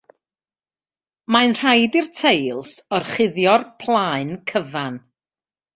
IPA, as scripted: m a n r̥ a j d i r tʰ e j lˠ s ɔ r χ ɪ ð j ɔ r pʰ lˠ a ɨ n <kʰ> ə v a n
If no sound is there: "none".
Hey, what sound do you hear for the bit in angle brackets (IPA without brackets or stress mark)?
kʰ